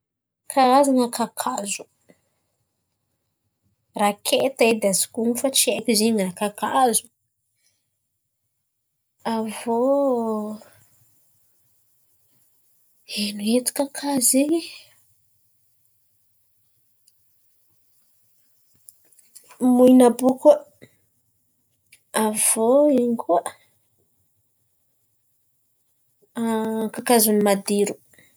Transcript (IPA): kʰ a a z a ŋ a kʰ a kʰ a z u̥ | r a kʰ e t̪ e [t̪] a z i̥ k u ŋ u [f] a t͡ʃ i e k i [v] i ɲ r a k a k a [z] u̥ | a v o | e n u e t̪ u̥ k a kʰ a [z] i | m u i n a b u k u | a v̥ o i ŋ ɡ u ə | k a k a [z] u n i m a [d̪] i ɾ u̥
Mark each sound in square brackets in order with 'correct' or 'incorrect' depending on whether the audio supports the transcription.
incorrect, correct, incorrect, correct, correct, correct, correct

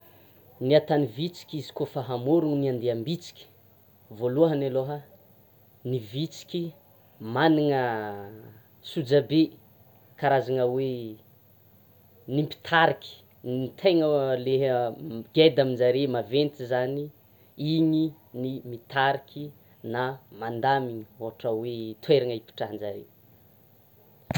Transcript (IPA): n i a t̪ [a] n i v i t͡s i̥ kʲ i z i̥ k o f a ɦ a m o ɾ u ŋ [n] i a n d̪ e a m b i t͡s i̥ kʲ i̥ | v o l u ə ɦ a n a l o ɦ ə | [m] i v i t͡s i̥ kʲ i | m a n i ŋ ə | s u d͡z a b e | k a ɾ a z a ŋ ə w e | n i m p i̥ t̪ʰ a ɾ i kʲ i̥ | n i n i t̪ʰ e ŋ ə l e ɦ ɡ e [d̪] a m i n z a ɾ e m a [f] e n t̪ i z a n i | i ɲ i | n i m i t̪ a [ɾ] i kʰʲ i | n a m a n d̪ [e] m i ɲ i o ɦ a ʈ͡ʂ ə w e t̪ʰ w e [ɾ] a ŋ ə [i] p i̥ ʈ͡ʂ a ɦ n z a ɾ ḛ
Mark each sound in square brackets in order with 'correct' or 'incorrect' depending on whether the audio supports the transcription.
correct, correct, incorrect, correct, incorrect, correct, incorrect, correct, correct

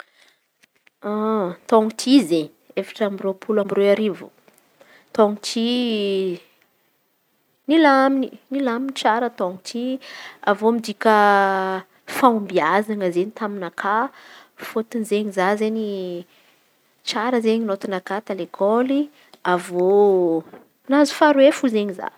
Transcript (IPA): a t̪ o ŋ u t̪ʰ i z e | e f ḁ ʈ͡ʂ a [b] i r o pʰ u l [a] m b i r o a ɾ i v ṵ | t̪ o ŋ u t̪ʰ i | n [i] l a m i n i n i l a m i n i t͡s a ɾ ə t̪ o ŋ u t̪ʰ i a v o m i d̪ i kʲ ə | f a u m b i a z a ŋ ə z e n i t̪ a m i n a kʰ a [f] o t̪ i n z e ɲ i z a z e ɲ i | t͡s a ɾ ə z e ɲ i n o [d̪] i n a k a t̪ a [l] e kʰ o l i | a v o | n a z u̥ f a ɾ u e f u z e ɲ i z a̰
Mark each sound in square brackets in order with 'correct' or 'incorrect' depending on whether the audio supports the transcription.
incorrect, correct, correct, correct, incorrect, correct

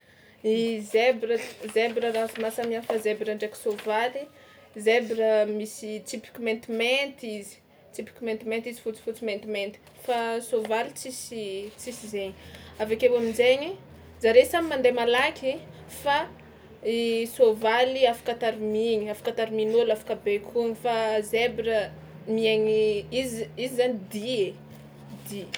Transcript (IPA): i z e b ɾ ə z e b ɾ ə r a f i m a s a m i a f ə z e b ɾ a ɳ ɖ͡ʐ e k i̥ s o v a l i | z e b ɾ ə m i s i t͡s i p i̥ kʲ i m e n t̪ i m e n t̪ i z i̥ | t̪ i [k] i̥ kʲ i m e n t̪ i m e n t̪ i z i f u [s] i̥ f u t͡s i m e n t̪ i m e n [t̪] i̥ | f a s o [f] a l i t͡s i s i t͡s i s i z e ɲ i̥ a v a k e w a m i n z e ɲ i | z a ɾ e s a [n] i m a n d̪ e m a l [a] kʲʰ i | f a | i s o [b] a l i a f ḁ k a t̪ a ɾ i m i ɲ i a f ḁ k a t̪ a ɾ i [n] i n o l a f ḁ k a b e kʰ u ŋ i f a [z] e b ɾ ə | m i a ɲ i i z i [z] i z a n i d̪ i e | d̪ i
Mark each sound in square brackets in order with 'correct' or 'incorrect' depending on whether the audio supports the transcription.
incorrect, incorrect, correct, incorrect, incorrect, correct, incorrect, incorrect, correct, correct

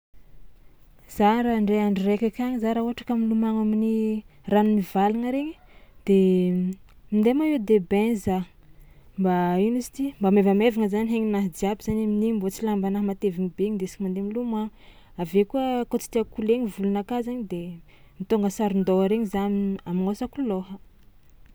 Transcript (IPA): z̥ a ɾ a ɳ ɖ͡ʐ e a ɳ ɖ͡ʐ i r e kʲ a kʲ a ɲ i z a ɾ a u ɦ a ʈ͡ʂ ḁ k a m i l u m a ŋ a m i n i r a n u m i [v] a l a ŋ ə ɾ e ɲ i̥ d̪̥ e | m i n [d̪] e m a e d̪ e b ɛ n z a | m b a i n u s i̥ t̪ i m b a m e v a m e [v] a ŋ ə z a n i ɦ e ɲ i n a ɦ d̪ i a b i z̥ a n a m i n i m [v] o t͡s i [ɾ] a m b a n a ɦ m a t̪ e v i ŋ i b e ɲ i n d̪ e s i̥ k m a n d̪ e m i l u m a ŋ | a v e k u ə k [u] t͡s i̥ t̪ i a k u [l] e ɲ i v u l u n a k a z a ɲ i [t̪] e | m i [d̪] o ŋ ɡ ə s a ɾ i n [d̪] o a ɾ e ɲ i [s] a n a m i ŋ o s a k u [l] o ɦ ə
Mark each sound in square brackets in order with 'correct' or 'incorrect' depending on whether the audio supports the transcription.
correct, correct, correct, incorrect, incorrect, incorrect, correct, incorrect, incorrect, correct, incorrect, correct

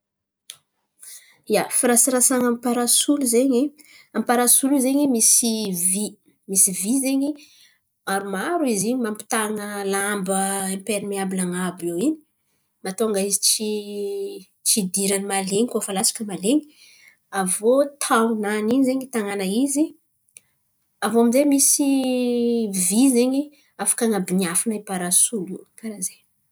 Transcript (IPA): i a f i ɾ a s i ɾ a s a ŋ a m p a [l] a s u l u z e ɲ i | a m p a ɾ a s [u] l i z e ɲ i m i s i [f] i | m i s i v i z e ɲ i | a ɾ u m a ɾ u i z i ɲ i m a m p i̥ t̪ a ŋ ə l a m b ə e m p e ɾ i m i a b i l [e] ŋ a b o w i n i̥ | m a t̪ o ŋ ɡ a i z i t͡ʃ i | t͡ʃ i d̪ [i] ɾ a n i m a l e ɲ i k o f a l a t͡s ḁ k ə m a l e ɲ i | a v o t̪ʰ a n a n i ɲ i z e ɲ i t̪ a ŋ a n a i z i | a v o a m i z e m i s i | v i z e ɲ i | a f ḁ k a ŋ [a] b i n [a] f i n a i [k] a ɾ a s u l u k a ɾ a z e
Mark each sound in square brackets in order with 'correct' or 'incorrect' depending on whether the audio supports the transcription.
incorrect, correct, incorrect, incorrect, correct, correct, correct, incorrect

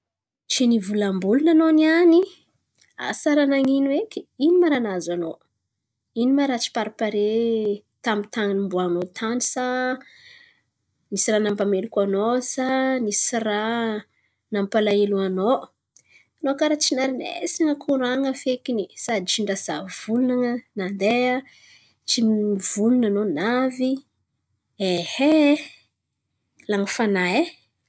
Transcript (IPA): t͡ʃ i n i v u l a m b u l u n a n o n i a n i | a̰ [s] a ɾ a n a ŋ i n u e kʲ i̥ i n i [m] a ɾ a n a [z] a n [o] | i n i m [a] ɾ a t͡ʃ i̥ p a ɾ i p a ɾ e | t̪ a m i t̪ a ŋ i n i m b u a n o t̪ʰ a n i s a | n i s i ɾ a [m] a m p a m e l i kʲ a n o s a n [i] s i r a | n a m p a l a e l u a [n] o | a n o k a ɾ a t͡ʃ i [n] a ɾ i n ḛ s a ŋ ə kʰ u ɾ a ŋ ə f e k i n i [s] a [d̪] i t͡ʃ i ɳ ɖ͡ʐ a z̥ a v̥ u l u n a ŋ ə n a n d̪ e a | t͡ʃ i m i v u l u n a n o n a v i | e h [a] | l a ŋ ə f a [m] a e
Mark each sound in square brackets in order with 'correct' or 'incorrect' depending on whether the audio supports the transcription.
correct, correct, correct, correct, correct, incorrect, correct, correct, correct, correct, correct, incorrect, incorrect

